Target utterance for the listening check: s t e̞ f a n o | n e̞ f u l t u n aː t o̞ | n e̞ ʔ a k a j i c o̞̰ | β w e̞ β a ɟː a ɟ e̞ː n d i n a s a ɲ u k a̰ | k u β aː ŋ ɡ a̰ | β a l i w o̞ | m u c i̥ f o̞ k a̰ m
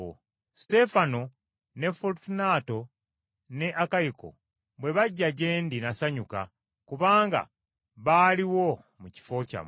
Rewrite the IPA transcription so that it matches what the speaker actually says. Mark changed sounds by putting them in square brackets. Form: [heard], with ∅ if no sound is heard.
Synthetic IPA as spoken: s t e̞ f a n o | n e̞ f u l t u n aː t o̞ | n e̞ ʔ a k a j i [k] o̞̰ | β w e̞ β a ɟː a ɟ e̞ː n d i n a s a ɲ u k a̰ | k u β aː ŋ ɡ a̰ | β a l i w o̞ | m u c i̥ f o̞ [c] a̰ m

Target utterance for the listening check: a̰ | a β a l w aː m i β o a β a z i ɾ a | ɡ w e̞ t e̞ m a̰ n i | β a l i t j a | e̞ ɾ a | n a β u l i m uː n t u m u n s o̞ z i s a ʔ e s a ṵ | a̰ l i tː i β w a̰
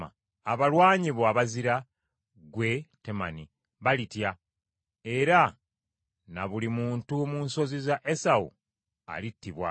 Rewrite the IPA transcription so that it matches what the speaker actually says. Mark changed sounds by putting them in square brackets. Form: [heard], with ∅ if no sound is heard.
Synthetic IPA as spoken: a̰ | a β a l w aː [ɲ] i β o a β a z i ɾ a | ɡ w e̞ t e̞ m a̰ n i | β a l i t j a | e̞ ɾ a | n a β u l i m uː n t u m u n s o̞ z i [z] a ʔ e s a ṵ | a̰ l i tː i β w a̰

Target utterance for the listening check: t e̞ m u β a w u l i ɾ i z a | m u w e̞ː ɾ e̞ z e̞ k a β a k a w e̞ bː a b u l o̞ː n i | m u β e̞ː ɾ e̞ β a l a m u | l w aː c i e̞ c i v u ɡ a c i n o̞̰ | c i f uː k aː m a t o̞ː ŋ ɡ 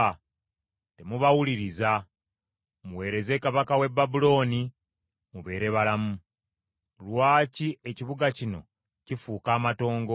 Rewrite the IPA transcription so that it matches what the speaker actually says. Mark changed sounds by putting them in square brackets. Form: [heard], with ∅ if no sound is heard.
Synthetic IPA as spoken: t e̞ m u β a w u l i ɾ i z a | m u w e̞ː ɾ e̞ z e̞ k a β a k a w e̞ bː a b u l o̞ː n i | m u β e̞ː ɾ e̞ β a l a m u | l w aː c i e̞ c i [β] u ɡ a c i n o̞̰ | c i f uː k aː m a t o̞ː ŋ ɡ

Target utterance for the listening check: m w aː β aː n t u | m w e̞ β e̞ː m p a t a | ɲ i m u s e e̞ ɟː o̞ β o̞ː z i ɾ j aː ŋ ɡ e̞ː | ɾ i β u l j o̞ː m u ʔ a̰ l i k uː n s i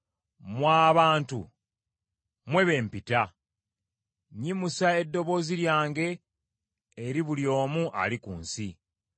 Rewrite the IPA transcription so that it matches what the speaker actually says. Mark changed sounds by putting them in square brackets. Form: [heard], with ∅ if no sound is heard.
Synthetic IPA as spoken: m w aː β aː n t u | m w e̞ β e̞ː m p [i] t a | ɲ i m u s [a] e̞ [dː] o̞ β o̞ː z i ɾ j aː ŋ ɡ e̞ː | ɾ i β u l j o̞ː m u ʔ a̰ l i k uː n s i

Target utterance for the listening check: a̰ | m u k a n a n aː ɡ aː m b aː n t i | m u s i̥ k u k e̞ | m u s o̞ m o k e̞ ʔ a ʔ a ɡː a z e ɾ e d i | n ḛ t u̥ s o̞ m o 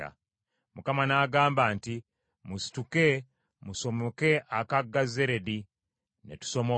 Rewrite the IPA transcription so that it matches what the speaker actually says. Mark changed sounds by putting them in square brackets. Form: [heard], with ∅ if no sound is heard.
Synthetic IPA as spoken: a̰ | m u k a [m] a n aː ɡ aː m b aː n t i | m u s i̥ [t] u k e̞ | m u s o̞ m o k e̞ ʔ a [k] a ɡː a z e ɾ e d i | n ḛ t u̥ s o̞ m o

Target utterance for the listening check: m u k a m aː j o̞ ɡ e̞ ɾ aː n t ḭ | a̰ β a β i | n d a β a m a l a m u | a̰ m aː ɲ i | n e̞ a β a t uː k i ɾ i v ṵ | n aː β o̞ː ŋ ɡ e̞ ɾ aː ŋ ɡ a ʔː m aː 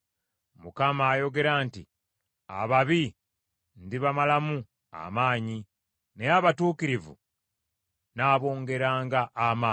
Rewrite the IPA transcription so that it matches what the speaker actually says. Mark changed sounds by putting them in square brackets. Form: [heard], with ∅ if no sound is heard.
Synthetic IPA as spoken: m u k a m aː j o̞ ɡ e̞ ɾ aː n t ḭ | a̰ β a β i | n d [i] β a m a l a m u | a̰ m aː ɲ i | n e̞ a β a t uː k i ɾ i v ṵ | n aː β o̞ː ŋ ɡ e̞ ɾ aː ŋ ɡ a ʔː m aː

